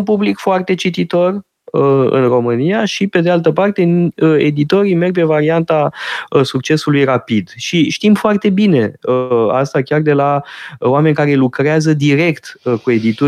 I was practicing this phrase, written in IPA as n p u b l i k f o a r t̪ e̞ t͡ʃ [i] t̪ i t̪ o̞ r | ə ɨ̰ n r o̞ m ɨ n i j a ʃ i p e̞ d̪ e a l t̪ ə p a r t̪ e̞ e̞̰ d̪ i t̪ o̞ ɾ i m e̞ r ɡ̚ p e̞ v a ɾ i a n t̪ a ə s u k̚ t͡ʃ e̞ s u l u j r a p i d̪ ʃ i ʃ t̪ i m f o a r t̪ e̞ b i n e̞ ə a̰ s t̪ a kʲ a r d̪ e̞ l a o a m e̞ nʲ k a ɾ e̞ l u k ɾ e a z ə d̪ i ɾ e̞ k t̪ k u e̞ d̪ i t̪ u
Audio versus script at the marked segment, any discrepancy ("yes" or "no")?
no